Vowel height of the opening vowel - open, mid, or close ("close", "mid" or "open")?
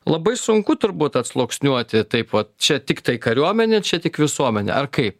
open